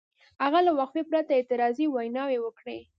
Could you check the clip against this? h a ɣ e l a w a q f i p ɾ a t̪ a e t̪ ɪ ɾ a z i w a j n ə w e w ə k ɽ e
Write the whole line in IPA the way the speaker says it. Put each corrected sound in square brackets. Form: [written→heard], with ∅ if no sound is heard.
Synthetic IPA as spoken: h a ɣ [e→a] l a w a q f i p ɾ a t̪ a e t̪ ɪ ɾ [a→ɑ] z i w a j n [ə→ɑ] w e w ə k ɽ e